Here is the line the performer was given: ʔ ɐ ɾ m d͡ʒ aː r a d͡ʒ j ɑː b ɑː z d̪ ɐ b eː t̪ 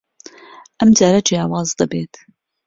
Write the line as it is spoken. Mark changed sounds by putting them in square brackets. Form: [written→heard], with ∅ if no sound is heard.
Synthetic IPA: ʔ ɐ [ɾ→∅] m d͡ʒ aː [r→ɾ] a d͡ʒ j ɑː [b→w] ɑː z d̪ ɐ b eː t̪